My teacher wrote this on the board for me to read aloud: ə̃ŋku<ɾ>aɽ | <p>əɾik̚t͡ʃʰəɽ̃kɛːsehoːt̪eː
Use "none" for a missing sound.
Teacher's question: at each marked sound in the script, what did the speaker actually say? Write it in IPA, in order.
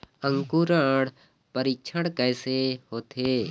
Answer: ɾ, p

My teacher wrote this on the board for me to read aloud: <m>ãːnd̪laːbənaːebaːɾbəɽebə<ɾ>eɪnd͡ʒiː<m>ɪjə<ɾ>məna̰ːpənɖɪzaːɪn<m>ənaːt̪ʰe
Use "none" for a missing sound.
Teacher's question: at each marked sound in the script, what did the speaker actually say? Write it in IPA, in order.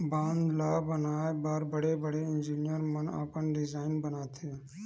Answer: b, ɽ, n, ɾ, b

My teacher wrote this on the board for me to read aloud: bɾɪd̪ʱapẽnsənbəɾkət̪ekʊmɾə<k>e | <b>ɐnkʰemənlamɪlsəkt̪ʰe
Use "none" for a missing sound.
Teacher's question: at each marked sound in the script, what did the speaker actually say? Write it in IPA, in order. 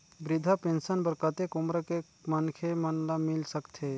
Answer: k, m

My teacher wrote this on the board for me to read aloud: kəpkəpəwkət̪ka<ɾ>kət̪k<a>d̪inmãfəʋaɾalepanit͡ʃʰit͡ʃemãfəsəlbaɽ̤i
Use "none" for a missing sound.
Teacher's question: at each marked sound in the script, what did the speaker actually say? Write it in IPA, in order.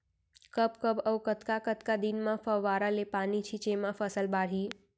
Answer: none, a

